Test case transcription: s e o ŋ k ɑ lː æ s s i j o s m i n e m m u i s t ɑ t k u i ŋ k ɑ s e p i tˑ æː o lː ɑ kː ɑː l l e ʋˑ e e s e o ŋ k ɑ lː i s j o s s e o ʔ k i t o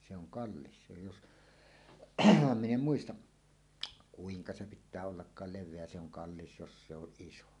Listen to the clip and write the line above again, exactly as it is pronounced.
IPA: s e o ŋ k ɑ lː i s s e j o s m i n e m m u i s t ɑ ʔ k u i ŋ k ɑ s e p i tˑ æː o lː ɑ kː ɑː l l e ʋˑ e æ s e o ŋ k ɑ lː i s j o s s e o ʔ ʔ i s o